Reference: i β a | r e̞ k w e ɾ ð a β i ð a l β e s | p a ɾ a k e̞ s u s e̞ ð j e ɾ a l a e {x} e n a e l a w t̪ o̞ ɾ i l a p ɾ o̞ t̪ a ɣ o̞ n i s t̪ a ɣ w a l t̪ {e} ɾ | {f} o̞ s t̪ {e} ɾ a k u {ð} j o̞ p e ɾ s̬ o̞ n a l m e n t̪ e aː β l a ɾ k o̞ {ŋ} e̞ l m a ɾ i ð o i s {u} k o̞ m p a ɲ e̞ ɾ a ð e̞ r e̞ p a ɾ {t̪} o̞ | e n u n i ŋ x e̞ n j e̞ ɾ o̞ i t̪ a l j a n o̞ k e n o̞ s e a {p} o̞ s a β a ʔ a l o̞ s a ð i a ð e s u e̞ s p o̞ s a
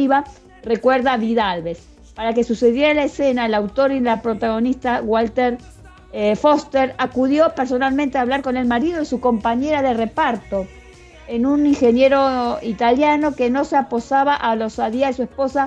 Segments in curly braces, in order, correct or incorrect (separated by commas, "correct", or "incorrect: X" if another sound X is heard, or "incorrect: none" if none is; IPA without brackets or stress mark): incorrect: s, correct, correct, correct, correct, incorrect: n, correct, correct, correct